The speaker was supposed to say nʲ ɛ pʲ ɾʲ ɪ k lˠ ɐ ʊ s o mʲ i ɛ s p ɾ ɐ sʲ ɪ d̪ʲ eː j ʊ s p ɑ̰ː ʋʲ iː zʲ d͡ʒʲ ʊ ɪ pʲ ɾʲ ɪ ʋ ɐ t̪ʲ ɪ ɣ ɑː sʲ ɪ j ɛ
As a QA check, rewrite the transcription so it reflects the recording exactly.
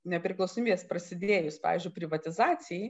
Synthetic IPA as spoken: nʲ ɛ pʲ ɾʲ ɪ k lˠ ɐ ʊ s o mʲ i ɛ s p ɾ ɐ sʲ ɪ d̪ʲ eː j ʊ s p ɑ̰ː ʋʲ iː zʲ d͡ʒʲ ʊ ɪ pʲ ɾʲ ɪ ʋ ɐ t̪ʲ ɪ z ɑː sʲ ɪ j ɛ